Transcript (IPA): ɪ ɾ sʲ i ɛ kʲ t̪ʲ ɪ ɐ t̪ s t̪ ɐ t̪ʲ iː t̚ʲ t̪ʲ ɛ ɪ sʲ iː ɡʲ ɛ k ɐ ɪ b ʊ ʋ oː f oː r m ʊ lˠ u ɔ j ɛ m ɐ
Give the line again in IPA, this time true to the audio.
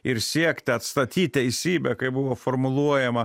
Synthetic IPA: ɪ ɾ sʲ i ɛ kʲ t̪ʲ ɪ ɐ t̪ s t̪ ɐ t̪ʲ iː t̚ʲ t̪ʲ ɛ ɪ sʲ iː bʲ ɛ k ɐ ɪ b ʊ ʋ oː f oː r m ʊ lˠ u ɔ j ɛ m ɐ